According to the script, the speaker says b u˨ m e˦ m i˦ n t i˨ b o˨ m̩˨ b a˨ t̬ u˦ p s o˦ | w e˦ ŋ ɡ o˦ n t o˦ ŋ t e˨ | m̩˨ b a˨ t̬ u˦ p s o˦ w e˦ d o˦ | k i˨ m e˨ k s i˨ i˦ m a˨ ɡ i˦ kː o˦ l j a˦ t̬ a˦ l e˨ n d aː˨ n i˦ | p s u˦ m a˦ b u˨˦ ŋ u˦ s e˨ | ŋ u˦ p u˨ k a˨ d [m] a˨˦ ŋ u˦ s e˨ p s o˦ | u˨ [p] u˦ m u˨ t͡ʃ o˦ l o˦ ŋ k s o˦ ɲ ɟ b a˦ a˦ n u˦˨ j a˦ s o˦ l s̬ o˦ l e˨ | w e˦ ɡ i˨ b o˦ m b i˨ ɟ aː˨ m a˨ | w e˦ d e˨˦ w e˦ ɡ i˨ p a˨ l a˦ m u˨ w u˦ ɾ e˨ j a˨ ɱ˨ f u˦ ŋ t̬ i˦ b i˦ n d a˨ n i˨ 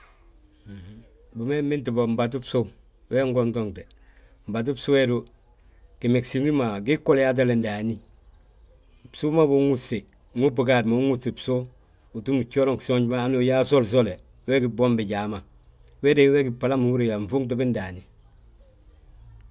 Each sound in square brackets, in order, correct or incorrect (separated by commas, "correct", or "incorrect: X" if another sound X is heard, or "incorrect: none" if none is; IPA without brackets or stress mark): correct, incorrect: t